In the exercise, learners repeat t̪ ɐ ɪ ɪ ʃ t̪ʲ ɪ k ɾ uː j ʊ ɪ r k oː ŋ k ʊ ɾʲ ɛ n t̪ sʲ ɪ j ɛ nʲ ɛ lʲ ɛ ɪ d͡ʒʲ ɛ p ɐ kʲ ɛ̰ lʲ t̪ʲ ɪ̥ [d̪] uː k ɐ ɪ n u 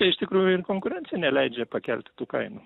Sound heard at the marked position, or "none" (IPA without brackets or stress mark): t̪